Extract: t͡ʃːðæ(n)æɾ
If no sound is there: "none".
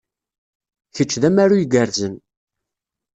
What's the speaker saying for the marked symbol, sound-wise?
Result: m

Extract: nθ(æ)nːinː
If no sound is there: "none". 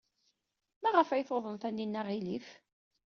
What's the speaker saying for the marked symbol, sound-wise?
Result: æ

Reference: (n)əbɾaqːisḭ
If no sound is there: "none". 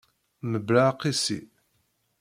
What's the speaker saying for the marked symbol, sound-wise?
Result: m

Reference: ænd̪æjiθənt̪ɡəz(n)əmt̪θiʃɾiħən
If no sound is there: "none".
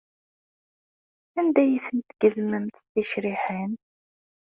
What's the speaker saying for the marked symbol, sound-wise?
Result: m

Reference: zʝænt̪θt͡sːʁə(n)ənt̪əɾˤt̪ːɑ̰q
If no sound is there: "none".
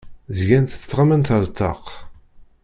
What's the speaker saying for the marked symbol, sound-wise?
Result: m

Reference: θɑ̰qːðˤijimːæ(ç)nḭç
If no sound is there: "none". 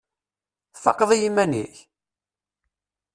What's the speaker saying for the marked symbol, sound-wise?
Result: none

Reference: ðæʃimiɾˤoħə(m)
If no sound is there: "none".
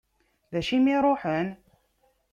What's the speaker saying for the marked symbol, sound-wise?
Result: n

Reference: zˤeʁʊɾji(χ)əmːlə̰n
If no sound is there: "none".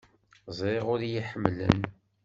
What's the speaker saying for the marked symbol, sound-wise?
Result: ħ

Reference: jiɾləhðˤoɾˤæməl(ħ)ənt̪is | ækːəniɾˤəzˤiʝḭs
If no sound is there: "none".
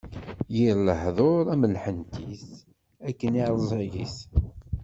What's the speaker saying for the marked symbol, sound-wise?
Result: ħ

